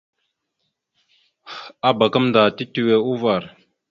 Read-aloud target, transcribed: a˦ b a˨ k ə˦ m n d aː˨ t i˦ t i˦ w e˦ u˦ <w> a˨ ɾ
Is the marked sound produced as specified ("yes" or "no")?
no